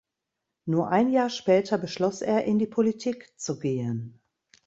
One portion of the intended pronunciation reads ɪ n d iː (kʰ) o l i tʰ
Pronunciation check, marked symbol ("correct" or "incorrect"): incorrect